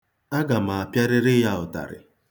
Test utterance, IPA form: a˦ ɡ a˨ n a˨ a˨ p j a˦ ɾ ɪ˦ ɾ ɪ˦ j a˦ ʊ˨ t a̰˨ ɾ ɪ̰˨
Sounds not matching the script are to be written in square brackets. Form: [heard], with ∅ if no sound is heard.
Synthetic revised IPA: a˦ ɡ a˨ [m] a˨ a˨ p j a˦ ɾ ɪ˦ ɾ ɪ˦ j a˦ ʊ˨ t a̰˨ ɾ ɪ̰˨